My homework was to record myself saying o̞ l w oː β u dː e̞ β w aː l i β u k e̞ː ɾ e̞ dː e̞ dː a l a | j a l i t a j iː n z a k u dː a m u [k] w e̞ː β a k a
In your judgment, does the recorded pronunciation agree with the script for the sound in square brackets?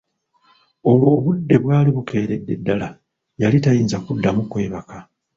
yes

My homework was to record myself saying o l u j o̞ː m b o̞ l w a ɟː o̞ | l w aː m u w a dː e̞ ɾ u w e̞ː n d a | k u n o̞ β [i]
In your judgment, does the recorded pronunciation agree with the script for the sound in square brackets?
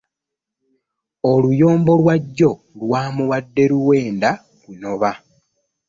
no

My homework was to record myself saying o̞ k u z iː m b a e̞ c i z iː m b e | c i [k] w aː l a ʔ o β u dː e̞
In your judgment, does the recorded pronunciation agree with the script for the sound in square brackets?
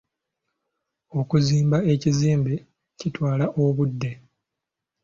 no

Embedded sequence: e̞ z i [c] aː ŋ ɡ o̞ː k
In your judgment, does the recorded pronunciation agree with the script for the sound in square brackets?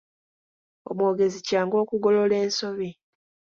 yes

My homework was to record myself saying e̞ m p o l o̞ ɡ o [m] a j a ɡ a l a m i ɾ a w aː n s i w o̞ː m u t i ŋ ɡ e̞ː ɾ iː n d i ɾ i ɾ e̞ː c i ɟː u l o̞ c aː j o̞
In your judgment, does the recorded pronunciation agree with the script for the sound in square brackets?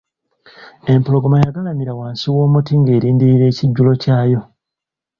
yes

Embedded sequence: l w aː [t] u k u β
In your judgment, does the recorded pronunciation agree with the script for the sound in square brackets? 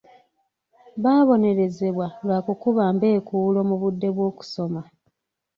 no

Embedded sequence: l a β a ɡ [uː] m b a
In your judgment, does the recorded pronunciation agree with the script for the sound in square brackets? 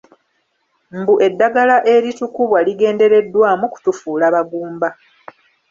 yes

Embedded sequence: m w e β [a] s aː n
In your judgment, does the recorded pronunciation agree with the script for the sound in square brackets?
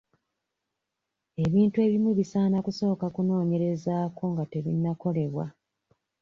no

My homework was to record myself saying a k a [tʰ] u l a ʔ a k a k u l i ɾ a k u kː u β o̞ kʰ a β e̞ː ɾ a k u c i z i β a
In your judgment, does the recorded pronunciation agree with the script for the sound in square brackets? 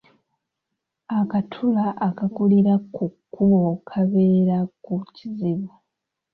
yes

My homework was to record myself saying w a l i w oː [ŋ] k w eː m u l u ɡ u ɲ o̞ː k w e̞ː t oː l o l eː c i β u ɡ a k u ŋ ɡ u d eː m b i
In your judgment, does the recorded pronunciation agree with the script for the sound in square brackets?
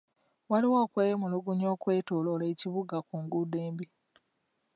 no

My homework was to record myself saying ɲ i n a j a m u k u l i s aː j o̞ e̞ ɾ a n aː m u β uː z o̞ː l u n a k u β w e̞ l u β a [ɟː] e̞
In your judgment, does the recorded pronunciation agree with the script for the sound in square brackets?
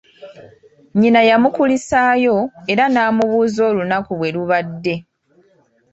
no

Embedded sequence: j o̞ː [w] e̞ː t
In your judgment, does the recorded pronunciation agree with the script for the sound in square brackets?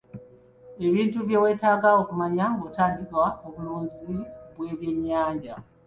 yes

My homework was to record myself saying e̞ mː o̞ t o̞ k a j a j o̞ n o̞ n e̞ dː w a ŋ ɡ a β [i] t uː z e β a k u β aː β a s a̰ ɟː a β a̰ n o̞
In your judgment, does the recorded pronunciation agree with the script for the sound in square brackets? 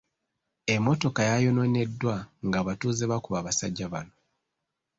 no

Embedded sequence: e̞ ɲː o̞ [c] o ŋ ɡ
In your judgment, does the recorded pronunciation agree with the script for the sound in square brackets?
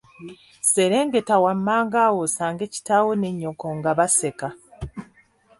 no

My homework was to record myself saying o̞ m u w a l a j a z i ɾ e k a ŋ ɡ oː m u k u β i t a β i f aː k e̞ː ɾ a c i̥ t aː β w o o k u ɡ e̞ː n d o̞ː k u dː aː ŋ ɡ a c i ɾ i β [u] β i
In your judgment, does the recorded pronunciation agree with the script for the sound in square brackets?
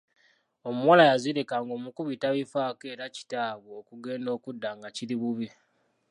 yes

